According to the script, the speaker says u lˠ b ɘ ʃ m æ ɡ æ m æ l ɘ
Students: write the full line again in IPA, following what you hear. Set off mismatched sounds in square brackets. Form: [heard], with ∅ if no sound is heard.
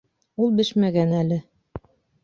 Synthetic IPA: u lˠ b ɘ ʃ m æ ɡ æ [n] æ l ɘ